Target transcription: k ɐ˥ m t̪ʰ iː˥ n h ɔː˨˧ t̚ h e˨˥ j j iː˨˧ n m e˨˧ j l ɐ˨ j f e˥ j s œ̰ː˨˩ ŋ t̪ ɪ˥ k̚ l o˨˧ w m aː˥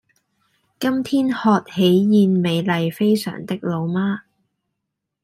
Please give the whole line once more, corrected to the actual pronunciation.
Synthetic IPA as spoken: k ɐ˥ m t̪ʰ iː˥ n h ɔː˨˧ t̚ h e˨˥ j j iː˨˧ n m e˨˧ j l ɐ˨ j f e˥ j s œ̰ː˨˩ ŋ t̪ ɪ˥ k̚ l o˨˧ w m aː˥